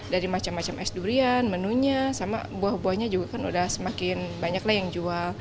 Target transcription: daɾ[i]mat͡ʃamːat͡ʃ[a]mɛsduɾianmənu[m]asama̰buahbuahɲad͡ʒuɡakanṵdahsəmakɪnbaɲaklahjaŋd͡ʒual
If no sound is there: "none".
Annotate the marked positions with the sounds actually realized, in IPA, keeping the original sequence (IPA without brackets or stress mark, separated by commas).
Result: i, a, ɲ